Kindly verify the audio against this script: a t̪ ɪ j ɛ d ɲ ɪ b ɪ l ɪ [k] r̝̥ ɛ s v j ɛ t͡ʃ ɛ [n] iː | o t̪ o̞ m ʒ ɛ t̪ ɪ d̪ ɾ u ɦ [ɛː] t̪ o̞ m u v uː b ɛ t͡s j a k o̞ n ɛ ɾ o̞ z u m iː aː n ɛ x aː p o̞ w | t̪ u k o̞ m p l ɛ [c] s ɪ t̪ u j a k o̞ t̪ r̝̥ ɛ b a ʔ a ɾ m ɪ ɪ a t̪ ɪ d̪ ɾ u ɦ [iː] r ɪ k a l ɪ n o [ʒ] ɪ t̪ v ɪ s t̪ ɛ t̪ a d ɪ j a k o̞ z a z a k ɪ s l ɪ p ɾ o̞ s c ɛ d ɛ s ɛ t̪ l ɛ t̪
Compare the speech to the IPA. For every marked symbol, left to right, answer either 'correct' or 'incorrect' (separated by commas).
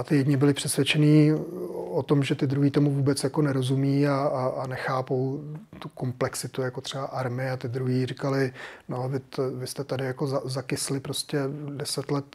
incorrect, correct, incorrect, incorrect, correct, incorrect